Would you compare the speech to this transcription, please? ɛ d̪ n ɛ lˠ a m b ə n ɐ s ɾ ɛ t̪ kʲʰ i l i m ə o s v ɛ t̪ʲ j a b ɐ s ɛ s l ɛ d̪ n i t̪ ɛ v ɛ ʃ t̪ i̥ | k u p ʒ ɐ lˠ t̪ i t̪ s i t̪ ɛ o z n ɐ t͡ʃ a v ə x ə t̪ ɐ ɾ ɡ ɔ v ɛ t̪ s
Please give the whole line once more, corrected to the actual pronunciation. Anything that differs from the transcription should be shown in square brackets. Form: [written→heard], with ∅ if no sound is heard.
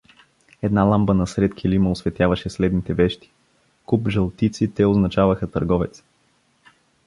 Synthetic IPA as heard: ɛ d̪ n [ɛ→a] lˠ a m b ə n ɐ s ɾ ɛ t̪ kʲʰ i l i m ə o s v ɛ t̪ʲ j a [b→v] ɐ [s→ʃ] ɛ s l ɛ d̪ n i t̪ ɛ v ɛ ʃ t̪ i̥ | k u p ʒ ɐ lˠ t̪ i t̪ s i t̪ ɛ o z n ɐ t͡ʃ a v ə x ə t̪ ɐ ɾ ɡ ɔ v ɛ t̪ s